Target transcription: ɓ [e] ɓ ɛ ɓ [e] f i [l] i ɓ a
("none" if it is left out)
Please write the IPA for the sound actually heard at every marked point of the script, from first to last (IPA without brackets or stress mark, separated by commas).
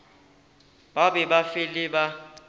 a, a, l